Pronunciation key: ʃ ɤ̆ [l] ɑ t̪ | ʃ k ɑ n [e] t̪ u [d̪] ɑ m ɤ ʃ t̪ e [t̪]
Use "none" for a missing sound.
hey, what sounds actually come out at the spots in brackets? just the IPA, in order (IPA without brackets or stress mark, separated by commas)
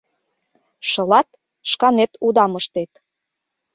l, e, d̪, t̪